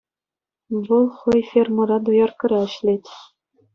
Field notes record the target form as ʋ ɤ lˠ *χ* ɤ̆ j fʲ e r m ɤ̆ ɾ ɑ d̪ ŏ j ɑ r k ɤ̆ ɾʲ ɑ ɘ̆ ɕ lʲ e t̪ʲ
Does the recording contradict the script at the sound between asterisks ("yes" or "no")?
no